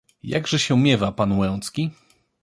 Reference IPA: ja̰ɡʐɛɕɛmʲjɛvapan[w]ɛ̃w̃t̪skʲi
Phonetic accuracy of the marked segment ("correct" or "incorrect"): correct